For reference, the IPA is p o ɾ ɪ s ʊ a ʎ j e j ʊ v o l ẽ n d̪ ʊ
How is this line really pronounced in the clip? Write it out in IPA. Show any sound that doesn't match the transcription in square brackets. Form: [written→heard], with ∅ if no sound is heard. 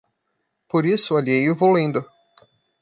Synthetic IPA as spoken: p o ɾ [ɪ→i] s ʊ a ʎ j e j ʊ v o l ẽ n d̪ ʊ

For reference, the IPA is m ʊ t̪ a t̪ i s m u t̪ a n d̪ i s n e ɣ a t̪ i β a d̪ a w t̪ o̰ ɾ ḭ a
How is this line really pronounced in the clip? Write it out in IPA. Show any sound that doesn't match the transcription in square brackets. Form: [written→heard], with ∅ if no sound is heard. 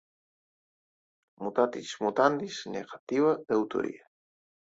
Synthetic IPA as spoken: m [ʊ→u] t̪ a t̪ i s m u t̪ a n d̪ i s n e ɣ a t̪ i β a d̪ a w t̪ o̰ ɾ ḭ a

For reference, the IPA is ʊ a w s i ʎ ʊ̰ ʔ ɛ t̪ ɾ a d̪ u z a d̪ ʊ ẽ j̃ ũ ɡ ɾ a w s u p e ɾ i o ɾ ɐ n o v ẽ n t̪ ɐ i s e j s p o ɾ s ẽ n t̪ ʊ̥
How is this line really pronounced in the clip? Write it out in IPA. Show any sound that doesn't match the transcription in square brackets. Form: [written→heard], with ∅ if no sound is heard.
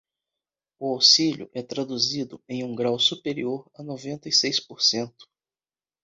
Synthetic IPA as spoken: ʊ a w s i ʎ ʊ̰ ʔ ɛ t̪ ɾ a d̪ u z [a→i] d̪ ʊ ẽ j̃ ũ ɡ ɾ a w s u p e ɾ i o ɾ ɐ n o v ẽ n t̪ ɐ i s e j s p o ɾ s ẽ n t̪ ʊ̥

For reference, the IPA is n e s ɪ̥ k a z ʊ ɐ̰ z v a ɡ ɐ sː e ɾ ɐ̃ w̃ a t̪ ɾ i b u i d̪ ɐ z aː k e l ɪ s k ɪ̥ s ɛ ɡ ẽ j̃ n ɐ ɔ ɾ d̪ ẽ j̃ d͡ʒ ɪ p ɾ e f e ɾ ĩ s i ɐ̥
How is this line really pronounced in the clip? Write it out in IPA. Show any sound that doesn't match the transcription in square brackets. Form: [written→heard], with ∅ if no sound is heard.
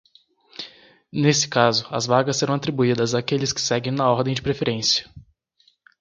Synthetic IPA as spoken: n e s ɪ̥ k a z ʊ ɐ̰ z v a ɡ ɐ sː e ɾ ɐ̃ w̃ a t̪ ɾ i b u i d̪ ɐ z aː k e l ɪ s k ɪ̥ s ɛ ɡ ẽ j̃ n ɐ ɔ ɾ d̪ ẽ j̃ d͡ʒ ɪ p ɾ e f e ɾ [ĩ→ẽ] s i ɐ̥

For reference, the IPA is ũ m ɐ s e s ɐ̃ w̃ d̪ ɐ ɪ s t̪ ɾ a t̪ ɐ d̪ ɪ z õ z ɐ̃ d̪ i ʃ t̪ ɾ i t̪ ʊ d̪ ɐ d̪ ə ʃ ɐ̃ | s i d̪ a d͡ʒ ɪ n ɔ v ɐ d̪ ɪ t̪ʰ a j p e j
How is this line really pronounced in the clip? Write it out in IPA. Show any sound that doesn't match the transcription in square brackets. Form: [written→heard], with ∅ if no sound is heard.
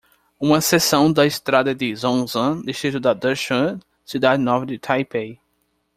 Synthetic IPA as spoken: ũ m ɐ s e s ɐ̃ w̃ d̪ ɐ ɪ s t̪ ɾ a [t̪→d̪] ɐ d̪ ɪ z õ z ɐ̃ d̪ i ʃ t̪ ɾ i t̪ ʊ d̪ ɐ d̪ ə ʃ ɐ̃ | s i d̪ a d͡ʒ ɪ n ɔ v ɐ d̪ ɪ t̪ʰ a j p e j

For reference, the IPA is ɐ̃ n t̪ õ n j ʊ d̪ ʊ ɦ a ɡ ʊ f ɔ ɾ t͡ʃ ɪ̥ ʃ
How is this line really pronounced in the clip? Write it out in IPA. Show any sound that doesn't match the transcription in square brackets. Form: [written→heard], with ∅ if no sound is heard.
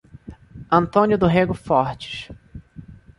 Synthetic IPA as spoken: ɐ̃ n t̪ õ n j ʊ d̪ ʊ ɦ [a→e] ɡ ʊ f ɔ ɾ t͡ʃ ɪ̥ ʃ

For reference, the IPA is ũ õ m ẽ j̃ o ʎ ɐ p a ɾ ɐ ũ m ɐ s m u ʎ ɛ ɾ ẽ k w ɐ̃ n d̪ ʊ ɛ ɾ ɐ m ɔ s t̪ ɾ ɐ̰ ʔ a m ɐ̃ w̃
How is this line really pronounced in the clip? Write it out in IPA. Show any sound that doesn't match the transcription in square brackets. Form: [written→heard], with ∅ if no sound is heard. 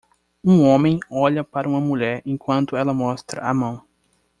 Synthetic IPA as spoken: ũ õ m ẽ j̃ [o→ɔ] ʎ ɐ p a ɾ ɐ ũ m ɐ [s→∅] m u ʎ ɛ ɾ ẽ k w ɐ̃ n [d̪→t̪] ʊ ɛ [ɾ→l] ɐ m ɔ s t̪ ɾ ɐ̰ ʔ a m ɐ̃ w̃

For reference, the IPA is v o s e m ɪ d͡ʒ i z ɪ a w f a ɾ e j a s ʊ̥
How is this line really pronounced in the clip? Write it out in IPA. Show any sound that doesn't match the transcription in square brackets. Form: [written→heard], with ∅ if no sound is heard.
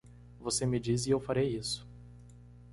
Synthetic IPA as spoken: v o s e m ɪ d͡ʒ i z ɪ [a→e] w f a ɾ e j [a→i] s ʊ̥

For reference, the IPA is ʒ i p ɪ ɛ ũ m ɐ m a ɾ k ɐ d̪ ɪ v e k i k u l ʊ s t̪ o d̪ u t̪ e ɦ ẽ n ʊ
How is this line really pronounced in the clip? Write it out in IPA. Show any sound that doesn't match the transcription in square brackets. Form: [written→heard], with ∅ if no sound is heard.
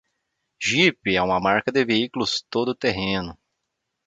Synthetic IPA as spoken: ʒ i p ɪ ɛ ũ m ɐ m a ɾ k ɐ d̪ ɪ v e [k→∅] i k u l ʊ s t̪ o d̪ [u→ʊ] t̪ e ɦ ẽ n ʊ

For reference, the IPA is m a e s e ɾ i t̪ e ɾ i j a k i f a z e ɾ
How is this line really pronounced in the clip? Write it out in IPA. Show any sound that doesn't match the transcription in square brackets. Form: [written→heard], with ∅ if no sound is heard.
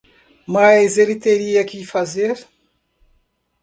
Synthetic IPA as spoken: m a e [s→z] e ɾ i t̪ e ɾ i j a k i f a z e ɾ

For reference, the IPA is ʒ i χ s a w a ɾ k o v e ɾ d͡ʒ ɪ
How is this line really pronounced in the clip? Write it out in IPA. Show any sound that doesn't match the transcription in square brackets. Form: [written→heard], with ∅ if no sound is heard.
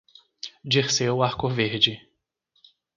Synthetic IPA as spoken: [ʒ→d͡ʒ] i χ s [a→e] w a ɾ k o v e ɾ d͡ʒ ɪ

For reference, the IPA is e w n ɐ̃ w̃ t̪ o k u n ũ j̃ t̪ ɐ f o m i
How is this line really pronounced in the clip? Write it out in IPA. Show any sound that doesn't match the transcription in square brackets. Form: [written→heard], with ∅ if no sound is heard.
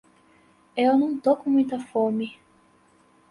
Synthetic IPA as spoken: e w n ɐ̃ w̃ t̪ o k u [n→m] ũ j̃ t̪ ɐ f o m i

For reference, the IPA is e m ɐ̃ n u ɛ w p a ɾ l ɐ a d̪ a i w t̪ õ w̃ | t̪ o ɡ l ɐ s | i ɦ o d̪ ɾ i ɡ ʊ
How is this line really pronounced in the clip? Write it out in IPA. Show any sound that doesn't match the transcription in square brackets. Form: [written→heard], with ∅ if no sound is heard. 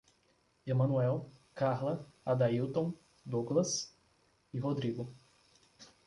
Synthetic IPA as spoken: e m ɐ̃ n u ɛ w [p→k] a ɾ l ɐ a d̪ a i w t̪ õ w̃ | [t̪→d̪] o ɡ l ɐ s | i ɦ o d̪ ɾ i ɡ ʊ

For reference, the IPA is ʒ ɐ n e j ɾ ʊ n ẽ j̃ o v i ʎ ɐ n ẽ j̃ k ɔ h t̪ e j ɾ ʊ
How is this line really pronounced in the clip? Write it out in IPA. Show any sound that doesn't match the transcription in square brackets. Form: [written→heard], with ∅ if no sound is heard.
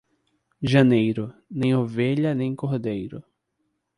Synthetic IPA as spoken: ʒ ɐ n e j ɾ ʊ n ẽ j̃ o v [i→e] ʎ ɐ n ẽ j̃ k [ɔ→o] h [t̪→d̪] e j ɾ ʊ

